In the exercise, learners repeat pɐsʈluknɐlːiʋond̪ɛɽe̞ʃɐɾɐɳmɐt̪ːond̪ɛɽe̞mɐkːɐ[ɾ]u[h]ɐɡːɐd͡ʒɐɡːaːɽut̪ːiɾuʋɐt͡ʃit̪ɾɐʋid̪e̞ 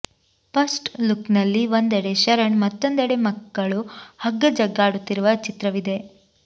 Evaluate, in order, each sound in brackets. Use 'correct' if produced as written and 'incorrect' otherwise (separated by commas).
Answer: incorrect, correct